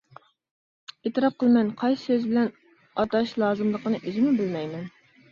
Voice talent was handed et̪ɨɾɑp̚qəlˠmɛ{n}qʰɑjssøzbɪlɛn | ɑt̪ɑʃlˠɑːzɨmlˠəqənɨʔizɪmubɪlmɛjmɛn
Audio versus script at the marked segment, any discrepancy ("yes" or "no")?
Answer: no